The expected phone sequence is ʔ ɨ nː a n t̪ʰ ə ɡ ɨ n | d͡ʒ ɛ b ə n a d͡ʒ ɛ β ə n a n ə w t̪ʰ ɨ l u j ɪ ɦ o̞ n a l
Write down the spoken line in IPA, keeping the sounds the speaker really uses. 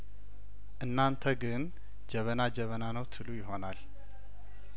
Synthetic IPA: ʔ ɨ nː a n t̪ʰ ə ɡ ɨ n | d͡ʒ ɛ β ə n a d͡ʒ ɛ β ə n a n ə w t̪ʰ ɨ l u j ɪ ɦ o̞ n a l